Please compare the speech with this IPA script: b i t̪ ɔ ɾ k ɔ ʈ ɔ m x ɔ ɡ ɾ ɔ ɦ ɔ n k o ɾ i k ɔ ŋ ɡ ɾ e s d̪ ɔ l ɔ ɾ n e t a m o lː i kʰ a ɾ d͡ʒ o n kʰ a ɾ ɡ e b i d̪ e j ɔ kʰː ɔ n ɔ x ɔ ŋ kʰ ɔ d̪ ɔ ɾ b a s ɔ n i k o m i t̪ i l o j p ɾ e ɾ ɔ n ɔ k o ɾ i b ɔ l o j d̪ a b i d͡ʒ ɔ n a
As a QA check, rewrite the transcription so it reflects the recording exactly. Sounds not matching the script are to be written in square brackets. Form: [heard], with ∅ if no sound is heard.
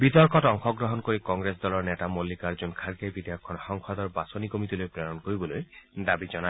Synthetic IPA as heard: b i t̪ ɔ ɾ k ɔ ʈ ɔ [ŋ] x ɔ ɡ ɾ ɔ ɦ ɔ n k o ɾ i k ɔ ŋ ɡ ɾ e s d̪ ɔ l ɔ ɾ n e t a m o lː i [k] a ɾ d͡ʒ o n kʰ a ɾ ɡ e b i d̪ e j ɔ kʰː ɔ n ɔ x ɔ ŋ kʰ ɔ d̪ ɔ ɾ b a s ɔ n i k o m i t̪ i l o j p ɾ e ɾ ɔ n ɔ k o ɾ i b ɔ l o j d̪ a b i d͡ʒ ɔ n a